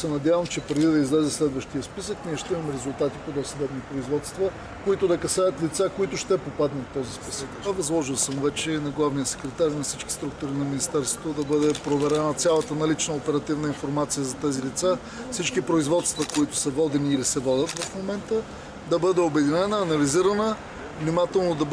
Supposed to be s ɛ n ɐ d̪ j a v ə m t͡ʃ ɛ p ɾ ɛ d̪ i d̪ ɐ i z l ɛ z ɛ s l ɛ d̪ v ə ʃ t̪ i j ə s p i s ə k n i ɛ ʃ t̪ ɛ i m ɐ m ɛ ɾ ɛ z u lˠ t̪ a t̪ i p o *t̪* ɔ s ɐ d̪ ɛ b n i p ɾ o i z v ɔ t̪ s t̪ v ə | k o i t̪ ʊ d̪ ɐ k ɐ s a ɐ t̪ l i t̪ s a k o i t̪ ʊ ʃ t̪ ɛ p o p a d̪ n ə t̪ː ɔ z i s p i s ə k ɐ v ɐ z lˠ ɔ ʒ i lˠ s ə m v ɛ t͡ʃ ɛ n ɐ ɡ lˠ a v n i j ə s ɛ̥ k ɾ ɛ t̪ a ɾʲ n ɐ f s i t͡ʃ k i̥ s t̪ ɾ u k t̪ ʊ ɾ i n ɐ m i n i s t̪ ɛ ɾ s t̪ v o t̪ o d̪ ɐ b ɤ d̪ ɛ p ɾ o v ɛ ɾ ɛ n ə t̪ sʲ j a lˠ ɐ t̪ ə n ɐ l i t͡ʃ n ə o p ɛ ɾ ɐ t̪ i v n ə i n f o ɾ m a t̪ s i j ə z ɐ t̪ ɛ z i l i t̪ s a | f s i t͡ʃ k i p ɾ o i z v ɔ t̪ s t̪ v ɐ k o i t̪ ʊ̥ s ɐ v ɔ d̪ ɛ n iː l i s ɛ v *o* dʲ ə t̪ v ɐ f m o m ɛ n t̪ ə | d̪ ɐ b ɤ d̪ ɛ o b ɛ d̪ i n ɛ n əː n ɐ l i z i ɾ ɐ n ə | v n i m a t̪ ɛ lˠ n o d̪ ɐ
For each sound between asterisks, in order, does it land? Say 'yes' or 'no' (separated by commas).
no, no